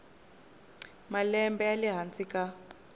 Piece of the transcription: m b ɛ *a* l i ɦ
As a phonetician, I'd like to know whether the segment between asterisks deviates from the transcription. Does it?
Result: no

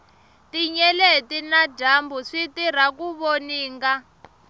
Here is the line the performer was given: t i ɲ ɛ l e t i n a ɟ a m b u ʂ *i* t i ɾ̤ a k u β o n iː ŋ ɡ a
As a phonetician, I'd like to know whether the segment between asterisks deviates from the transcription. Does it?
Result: no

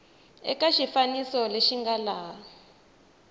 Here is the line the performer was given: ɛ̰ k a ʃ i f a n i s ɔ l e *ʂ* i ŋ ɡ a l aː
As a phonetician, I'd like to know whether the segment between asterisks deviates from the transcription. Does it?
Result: yes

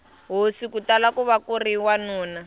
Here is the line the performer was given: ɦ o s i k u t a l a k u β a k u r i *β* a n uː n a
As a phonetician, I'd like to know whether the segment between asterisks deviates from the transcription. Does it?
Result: yes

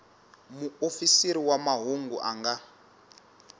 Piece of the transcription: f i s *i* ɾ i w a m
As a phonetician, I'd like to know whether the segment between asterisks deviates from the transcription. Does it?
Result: no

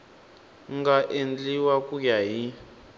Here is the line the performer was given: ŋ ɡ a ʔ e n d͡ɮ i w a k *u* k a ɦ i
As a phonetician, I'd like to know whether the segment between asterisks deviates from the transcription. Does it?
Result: no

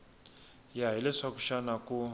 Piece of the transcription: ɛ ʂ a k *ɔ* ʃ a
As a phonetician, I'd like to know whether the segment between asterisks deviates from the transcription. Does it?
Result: yes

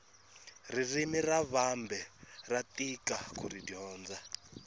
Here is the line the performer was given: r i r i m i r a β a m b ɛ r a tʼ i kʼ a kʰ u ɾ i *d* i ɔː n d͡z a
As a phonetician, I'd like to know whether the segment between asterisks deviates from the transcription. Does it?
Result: no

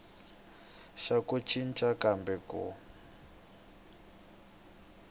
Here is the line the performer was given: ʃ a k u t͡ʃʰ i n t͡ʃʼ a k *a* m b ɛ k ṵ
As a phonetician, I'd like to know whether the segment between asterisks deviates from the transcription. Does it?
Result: no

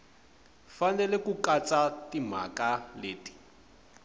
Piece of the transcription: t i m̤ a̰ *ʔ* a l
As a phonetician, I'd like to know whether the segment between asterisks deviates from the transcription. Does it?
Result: yes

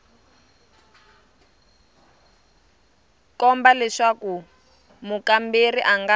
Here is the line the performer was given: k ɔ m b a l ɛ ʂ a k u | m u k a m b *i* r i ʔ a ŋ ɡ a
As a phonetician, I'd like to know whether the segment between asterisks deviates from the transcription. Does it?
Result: yes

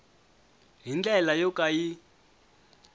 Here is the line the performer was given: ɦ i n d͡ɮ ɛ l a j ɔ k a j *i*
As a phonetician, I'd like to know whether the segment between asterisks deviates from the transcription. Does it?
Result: no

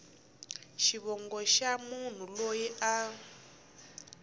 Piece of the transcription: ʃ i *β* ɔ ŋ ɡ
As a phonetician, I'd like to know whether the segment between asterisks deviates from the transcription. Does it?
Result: no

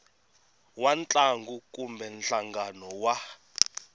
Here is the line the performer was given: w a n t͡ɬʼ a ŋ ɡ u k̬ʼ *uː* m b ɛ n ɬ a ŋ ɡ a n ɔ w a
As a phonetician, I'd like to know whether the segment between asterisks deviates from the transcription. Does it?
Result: yes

